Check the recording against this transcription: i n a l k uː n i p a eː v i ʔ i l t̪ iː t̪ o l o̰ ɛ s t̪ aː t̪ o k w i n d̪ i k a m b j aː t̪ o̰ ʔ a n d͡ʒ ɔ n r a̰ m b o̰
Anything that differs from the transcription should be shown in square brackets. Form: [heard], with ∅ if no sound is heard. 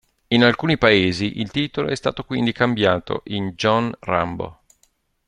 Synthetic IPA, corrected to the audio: i n a l k uː n i p a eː [z] i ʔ i l t̪ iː t̪ o l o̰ ɛ s t̪ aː t̪ o k w i n d̪ i k a m b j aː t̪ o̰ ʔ [i] n d͡ʒ ɔ n r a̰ m b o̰